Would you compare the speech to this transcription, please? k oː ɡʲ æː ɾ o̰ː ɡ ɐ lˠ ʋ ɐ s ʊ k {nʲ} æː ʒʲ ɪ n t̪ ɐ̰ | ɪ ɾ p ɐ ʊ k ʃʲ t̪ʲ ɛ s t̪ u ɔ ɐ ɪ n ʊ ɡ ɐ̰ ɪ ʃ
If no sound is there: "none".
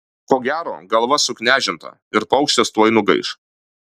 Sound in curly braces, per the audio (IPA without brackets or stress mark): nʲ